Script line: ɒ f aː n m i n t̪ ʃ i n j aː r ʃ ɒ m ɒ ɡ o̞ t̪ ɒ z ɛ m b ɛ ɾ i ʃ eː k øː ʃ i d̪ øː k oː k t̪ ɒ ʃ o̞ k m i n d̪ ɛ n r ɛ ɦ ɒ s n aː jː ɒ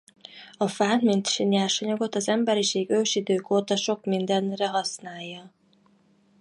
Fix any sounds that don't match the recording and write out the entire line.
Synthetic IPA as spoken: ɒ f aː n m i n t̪ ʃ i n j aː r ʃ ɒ ɲ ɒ ɡ o̞ t̪ ɒ z ɛ m b ɛ ɾ i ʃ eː ɡ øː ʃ i d̪ øː k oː t̪ ɒ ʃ o̞ k m i n d̪ ɛ n r ɛ ɦ ɒ s n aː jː ɒ